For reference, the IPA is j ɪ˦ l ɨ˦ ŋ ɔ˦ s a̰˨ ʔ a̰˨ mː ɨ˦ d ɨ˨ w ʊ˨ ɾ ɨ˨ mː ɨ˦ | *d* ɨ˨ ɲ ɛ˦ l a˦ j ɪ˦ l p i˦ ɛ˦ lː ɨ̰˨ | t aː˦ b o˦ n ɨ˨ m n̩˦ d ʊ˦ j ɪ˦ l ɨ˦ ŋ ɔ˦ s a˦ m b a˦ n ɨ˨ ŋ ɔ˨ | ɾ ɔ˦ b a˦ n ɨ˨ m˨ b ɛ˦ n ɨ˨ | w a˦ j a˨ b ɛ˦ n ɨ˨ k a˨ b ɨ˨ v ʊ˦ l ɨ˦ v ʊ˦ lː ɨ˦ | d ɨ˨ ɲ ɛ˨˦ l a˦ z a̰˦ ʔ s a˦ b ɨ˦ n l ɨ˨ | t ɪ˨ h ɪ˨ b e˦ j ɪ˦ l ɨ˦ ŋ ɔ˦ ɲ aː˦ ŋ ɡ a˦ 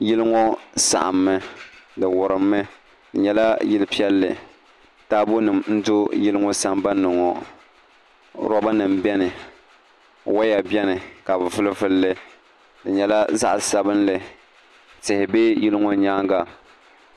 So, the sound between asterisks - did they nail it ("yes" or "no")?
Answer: yes